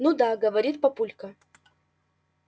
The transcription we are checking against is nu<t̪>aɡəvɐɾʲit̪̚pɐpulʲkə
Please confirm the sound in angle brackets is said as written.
no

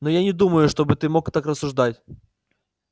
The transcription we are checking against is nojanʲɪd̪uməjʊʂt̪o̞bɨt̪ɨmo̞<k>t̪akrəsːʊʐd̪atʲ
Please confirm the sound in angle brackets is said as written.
yes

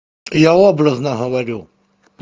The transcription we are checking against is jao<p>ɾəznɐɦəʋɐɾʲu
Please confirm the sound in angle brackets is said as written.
no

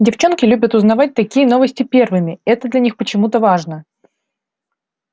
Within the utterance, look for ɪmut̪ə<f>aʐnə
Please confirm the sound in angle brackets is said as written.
no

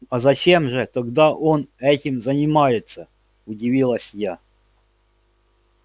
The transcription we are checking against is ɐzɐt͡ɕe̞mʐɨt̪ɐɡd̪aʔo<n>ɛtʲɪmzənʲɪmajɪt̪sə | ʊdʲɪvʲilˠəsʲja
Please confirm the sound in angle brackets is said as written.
yes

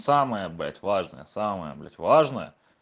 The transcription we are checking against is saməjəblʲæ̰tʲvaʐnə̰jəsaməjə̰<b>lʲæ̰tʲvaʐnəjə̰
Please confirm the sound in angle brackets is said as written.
yes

